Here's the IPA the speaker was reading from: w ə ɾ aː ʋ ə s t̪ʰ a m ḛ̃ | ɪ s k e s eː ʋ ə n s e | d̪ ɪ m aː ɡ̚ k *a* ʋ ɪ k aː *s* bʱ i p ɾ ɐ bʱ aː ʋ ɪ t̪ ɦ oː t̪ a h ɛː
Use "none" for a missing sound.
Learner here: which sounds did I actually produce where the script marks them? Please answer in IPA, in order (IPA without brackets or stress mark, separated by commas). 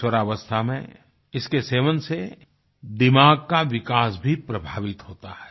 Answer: a, s